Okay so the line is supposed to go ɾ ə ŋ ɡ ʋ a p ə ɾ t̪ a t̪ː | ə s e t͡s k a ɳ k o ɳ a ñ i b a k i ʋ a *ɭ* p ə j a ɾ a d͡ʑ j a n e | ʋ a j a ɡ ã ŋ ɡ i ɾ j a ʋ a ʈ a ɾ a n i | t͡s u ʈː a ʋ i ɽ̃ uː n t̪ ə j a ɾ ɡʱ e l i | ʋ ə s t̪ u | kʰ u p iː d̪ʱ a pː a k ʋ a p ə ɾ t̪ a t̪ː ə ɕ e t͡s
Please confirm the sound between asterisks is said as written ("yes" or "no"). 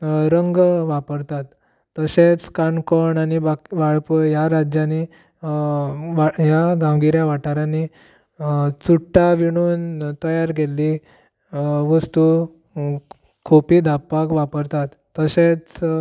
yes